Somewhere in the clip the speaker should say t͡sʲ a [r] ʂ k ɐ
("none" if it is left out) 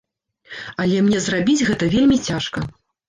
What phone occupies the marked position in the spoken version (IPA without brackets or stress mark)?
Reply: none